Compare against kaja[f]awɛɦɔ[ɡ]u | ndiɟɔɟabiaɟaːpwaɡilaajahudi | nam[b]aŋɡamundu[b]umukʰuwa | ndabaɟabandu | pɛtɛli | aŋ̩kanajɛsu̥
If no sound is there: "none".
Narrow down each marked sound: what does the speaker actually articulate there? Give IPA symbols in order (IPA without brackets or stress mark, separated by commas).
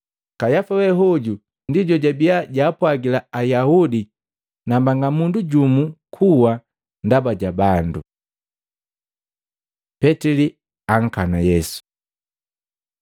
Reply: f, ɟ, b, ɟ